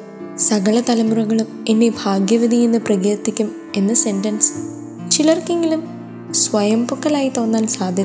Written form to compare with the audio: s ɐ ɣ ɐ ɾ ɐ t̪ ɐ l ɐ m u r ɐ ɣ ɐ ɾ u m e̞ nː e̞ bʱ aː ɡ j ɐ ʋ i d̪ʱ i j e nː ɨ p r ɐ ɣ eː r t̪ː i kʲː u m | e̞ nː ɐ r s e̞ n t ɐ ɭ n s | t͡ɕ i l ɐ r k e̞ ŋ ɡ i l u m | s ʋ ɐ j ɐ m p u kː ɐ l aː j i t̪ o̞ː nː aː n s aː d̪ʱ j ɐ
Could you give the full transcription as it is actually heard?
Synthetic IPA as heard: s ɐ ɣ ɐ ɭ ɐ t̪ ɐ l ɐ m u r ɐ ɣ ɐ ɭ u m e̞ nː e̞ bʱ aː ɡ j ɐ ʋ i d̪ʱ i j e nː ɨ p r ɐ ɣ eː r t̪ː i kʲː u m | e̞ nː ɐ s e̞ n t ɐ n s | t͡ɕ i l ɐ r k e̞ ŋ ɡ i l u m | s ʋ ɐ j ɐ m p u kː ɐ l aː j i t̪ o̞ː nː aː n s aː d̪ʱ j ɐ